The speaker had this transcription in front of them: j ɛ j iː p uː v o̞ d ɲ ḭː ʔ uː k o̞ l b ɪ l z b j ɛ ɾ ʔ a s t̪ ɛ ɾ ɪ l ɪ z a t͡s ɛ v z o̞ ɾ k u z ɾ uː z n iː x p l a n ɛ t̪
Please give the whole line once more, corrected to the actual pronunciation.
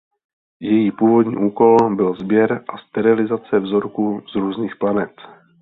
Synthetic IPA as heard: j ɛ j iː p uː v o̞ d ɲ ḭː ʔ uː k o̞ l b ɪ l z b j ɛ ɾ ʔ a s t̪ ɛ ɾ ɪ l ɪ z a t͡s ɛ v z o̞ ɾ k u z ɾ uː z n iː x p l a n ɛ t̪